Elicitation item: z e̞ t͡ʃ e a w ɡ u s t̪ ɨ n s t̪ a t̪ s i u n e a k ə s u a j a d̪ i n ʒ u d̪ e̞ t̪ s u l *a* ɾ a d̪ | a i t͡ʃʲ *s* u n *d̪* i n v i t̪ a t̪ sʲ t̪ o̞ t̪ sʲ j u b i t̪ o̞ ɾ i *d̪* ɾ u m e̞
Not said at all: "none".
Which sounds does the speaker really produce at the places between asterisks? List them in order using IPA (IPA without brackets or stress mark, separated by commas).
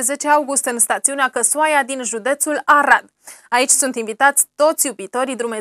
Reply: a, s, t̪, d̪